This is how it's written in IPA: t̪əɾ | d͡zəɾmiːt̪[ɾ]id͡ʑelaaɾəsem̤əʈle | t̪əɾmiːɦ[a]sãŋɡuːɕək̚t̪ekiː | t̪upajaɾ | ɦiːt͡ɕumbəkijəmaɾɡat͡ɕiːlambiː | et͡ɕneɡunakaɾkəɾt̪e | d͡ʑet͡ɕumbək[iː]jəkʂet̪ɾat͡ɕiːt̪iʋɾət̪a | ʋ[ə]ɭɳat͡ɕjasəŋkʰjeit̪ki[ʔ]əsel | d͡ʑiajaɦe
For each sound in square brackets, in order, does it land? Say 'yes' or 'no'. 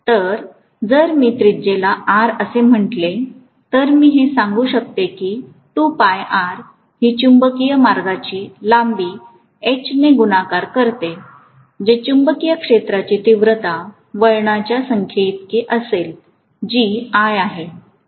yes, no, no, yes, yes

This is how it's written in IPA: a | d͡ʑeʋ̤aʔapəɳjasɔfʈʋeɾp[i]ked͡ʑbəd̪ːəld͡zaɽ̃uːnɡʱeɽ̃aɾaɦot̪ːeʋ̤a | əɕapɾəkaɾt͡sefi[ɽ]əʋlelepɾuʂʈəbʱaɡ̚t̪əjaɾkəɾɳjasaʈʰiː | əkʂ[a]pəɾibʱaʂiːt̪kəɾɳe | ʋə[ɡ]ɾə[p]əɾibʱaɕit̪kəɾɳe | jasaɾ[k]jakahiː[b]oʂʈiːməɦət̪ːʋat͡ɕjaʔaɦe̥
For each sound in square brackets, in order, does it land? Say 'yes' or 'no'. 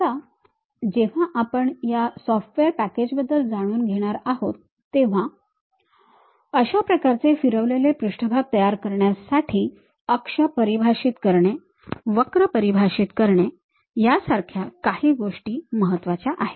no, no, no, no, yes, no, no

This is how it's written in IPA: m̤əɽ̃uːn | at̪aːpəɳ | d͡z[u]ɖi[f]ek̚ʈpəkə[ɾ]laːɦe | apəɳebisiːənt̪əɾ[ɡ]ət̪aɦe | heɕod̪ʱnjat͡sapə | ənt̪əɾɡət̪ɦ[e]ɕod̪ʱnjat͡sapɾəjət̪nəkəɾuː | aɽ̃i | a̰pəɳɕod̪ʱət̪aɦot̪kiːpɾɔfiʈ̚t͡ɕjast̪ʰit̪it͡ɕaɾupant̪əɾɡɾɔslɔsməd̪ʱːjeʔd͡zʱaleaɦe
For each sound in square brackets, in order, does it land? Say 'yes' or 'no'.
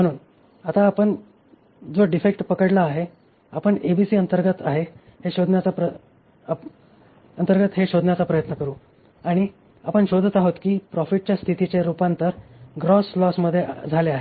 no, yes, no, yes, yes

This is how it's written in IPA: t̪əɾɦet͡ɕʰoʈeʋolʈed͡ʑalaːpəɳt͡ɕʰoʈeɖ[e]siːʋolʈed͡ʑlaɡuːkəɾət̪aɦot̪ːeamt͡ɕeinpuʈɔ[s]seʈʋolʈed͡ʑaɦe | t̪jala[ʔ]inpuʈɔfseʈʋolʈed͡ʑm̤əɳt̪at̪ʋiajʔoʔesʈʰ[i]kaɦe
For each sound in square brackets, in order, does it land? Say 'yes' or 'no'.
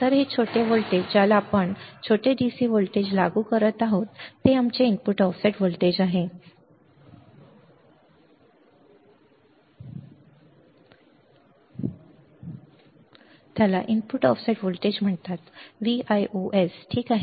no, no, yes, no

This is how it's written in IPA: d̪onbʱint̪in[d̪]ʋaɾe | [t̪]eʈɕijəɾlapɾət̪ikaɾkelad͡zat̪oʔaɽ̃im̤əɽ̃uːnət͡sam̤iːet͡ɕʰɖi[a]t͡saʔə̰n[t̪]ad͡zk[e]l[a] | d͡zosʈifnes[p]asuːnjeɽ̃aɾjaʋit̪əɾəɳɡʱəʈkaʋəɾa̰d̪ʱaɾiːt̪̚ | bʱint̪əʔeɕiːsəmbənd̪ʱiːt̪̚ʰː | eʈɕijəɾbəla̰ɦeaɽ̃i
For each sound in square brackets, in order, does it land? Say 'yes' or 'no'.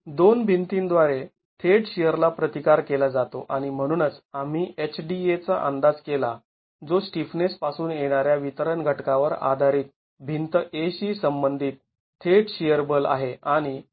yes, no, no, no, yes, yes, yes

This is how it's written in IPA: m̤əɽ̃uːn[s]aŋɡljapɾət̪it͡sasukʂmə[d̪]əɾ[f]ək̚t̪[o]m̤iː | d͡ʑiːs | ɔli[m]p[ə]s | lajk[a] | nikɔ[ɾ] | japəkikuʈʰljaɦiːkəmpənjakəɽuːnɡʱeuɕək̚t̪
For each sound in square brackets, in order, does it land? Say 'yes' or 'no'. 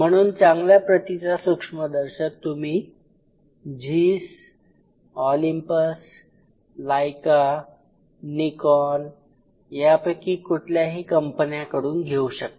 no, yes, no, no, yes, yes, yes, no

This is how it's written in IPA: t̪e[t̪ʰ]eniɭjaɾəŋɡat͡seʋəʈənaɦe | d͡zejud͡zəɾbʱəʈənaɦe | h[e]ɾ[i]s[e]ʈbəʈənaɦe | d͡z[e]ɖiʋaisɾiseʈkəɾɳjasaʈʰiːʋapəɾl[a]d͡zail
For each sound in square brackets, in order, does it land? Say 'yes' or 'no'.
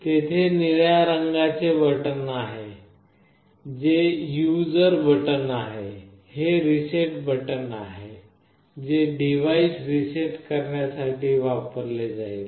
yes, yes, yes, yes, yes, no

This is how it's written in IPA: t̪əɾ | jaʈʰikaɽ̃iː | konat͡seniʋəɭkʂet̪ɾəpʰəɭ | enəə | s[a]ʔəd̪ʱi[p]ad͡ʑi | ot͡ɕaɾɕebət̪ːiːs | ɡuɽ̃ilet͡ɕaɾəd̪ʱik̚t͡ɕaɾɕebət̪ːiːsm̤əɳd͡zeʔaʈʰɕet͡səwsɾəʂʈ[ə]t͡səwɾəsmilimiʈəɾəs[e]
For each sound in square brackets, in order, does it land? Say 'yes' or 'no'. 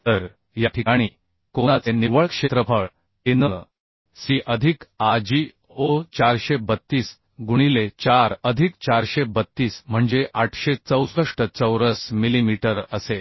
no, no, yes, yes

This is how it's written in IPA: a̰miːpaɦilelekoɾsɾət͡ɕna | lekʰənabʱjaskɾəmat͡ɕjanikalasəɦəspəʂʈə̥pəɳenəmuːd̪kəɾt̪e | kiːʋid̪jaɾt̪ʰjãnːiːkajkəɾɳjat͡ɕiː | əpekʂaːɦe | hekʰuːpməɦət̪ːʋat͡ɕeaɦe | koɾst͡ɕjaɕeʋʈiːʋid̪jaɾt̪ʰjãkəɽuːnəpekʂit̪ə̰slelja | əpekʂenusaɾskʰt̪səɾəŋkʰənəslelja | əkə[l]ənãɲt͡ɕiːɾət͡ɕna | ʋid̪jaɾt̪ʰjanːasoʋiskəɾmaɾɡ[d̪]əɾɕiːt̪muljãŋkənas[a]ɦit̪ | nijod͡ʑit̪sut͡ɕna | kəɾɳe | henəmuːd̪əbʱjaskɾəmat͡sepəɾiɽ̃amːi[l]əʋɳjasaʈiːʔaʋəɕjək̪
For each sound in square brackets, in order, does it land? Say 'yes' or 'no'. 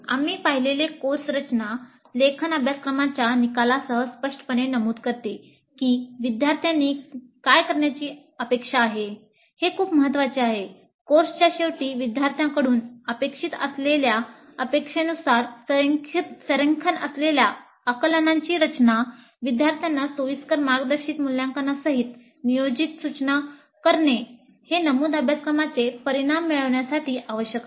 yes, yes, no, no

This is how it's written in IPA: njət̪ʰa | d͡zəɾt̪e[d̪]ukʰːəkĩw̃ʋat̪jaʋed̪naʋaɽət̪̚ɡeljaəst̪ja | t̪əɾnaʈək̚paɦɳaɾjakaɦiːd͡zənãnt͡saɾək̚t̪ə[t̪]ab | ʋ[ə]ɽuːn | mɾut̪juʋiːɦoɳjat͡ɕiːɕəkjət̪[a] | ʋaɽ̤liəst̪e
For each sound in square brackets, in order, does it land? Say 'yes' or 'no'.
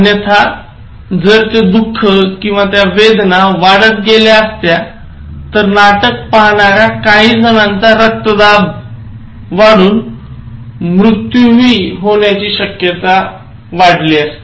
yes, no, no, yes

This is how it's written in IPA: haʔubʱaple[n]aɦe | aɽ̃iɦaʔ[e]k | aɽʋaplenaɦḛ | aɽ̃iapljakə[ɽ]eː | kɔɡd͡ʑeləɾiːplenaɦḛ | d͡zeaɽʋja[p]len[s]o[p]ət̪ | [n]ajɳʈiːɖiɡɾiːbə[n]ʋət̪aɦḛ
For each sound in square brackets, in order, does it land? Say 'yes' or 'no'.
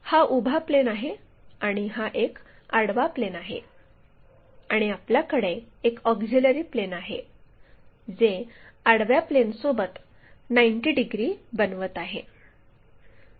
yes, yes, yes, yes, yes, no, yes, yes

